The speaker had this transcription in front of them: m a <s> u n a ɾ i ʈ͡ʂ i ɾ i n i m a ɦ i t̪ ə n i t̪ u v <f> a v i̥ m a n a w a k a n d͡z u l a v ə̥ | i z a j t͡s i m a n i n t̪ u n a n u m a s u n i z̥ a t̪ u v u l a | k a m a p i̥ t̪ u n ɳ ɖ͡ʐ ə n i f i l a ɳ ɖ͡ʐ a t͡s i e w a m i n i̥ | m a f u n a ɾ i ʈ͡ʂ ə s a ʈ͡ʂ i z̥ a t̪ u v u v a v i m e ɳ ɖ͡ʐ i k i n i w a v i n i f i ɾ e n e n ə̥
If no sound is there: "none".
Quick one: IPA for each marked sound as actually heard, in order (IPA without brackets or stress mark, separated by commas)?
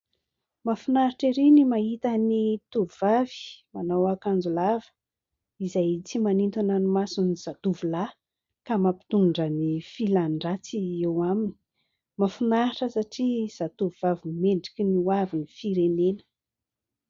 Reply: f, v